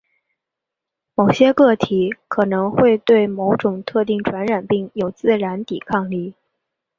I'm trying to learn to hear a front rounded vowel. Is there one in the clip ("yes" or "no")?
no